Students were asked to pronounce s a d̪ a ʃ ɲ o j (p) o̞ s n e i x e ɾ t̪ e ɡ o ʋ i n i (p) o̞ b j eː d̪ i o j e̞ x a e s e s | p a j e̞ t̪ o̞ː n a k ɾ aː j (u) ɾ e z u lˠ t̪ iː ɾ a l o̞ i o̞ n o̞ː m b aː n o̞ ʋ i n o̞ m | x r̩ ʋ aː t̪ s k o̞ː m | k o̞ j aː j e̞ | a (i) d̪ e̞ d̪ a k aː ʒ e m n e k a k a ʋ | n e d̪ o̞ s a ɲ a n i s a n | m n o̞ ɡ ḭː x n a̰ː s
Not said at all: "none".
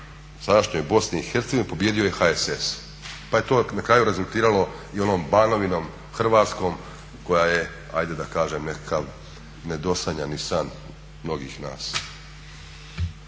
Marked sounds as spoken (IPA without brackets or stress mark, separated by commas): b, p, u, j